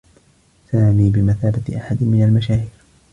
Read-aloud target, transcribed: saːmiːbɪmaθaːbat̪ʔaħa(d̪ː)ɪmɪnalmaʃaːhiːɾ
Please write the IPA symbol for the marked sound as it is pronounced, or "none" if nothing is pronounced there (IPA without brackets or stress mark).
d̪